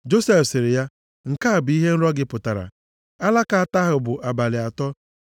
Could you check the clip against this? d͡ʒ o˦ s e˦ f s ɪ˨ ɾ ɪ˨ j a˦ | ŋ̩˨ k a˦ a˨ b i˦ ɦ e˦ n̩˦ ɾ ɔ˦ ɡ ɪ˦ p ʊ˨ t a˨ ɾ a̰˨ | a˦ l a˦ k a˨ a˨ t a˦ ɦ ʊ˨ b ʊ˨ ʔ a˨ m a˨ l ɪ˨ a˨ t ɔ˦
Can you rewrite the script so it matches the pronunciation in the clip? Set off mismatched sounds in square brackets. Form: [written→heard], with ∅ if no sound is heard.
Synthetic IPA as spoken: d͡ʒ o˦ s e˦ f s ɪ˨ ɾ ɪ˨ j a˦ | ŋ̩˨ k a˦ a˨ b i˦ ɦ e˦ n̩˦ ɾ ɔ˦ ɡ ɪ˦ p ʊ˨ t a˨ ɾ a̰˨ | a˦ l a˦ k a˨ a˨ t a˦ ɦ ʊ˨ b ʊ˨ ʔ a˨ [m→b] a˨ l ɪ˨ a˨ t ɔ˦

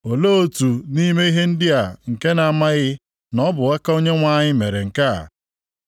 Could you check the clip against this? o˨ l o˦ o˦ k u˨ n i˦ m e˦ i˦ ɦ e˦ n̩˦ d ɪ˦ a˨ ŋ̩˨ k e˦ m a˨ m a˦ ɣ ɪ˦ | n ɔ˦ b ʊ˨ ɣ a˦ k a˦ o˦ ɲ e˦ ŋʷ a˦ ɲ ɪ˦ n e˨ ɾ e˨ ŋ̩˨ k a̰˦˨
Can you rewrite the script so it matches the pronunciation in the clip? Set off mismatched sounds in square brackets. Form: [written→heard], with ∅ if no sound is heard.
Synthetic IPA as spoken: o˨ l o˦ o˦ [k→t] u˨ n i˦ m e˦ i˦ ɦ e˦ n̩˦ d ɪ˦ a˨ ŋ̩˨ k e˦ [m→n] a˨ m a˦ ɣ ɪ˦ | n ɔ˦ b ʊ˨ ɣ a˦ k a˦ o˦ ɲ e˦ ŋʷ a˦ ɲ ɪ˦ [n→m] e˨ ɾ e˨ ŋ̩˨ k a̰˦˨

